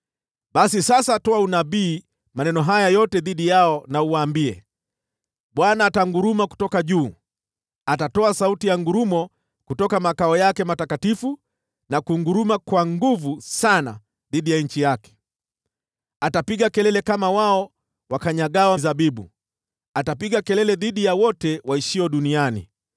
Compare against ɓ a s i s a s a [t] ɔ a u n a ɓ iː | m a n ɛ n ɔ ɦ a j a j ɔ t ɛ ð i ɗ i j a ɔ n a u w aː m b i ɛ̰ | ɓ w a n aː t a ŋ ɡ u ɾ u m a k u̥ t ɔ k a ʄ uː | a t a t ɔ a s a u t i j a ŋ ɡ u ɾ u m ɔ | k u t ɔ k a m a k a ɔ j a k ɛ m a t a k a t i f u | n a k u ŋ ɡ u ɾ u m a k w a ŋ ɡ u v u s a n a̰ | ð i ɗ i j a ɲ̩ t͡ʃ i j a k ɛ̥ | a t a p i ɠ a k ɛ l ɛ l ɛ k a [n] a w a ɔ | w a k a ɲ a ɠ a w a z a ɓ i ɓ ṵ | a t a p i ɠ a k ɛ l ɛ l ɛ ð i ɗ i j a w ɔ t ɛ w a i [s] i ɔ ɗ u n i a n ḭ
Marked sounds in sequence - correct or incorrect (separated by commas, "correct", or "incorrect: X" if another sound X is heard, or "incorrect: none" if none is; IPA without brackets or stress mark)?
correct, incorrect: m, incorrect: ʃ